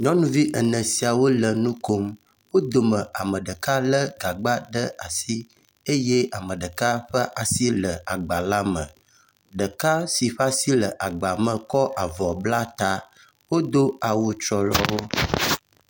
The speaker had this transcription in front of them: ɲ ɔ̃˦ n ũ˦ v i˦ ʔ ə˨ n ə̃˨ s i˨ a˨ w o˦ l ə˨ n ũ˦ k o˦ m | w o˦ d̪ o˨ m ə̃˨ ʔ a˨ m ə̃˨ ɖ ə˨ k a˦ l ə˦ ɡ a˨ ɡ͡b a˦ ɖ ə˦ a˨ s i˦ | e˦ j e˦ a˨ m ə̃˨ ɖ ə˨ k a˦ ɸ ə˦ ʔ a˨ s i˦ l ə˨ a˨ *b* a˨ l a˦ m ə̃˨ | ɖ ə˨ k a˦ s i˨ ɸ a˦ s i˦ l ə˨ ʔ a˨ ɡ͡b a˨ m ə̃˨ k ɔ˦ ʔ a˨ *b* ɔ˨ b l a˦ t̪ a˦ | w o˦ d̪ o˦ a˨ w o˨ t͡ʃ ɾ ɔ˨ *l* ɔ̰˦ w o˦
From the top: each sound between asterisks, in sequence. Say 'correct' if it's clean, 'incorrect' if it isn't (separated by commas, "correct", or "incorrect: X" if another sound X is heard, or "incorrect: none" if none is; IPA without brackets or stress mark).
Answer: incorrect: ɡ͡b, incorrect: v, correct